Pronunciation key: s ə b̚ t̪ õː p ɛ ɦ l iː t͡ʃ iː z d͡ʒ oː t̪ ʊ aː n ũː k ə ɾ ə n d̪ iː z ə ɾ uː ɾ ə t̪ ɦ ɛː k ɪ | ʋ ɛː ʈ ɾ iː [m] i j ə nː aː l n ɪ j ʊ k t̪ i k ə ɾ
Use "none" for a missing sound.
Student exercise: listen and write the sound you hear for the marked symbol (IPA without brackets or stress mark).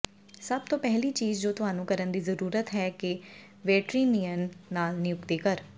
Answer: n